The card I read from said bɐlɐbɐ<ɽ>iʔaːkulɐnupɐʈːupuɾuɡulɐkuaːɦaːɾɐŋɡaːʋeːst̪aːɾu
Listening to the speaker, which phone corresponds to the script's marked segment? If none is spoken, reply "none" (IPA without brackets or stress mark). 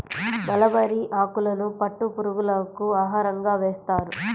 ɾ